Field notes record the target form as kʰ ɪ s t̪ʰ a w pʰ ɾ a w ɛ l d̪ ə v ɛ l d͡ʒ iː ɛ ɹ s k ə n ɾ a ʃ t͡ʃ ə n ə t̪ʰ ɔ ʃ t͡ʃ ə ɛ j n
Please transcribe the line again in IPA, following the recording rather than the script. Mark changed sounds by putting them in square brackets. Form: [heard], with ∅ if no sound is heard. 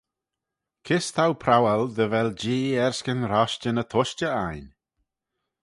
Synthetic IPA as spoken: kʰ ɪ s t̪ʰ a w pʰ ɾ a w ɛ l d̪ ə v ɛ l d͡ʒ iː ɛ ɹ s k ə n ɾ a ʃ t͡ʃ ə n ə t̪ʰ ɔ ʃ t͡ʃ ə [a] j n